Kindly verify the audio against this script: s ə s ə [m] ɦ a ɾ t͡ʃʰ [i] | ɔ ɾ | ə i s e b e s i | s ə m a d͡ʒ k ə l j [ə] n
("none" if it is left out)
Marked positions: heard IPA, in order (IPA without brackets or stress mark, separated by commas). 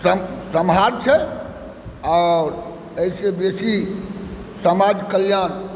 m, ɛ, a